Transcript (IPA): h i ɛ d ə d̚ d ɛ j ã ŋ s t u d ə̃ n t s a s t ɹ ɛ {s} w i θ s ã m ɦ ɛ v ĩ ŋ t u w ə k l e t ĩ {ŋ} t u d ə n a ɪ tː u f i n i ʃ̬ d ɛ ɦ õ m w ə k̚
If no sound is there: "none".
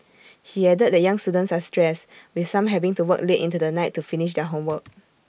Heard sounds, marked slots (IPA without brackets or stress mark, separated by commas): s, n